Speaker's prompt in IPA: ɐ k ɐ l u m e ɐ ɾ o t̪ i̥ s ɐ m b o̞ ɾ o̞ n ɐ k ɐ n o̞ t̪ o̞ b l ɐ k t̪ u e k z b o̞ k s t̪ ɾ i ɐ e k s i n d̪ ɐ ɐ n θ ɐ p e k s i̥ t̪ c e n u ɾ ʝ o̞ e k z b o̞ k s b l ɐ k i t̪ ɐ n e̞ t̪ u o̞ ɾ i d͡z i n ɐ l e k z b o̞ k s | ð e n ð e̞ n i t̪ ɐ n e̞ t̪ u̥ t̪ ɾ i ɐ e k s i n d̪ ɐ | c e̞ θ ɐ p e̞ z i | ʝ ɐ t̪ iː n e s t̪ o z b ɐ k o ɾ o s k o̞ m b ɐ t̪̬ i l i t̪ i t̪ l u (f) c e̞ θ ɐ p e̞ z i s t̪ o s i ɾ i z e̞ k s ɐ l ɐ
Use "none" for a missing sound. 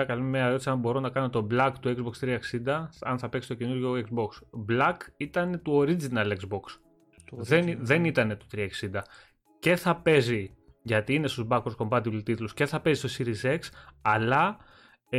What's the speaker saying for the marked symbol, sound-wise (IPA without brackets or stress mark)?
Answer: s